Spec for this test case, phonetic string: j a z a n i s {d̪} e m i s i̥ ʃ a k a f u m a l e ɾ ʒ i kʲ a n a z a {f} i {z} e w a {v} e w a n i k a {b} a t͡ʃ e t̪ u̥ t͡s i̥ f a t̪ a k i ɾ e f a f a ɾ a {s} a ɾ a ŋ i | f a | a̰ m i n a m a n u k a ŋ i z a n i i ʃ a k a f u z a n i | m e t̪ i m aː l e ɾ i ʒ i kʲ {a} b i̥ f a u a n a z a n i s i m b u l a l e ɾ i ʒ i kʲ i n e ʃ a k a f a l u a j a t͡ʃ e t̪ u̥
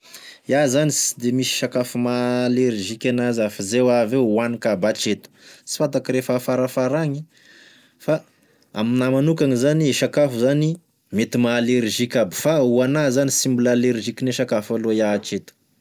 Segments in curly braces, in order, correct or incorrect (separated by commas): correct, correct, correct, correct, correct, incorrect, correct